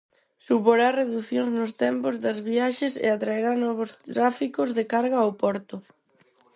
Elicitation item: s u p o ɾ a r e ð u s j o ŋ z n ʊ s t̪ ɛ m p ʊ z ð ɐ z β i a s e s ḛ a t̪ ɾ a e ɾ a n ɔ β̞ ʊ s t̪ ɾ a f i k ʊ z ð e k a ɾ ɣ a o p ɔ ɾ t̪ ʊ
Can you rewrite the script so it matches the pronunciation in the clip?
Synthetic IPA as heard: s u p o ɾ a r e ð u θ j o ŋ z n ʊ s t̪ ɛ m p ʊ z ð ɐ z β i a ʃ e s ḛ a t̪ ɾ a e ɾ a n ɔ β̞ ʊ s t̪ ɾ a f i k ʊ z ð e k a ɾ ɣ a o p ɔ ɾ t̪ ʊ